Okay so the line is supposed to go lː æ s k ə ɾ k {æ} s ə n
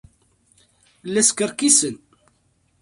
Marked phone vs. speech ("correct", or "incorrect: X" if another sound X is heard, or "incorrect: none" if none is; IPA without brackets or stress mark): incorrect: i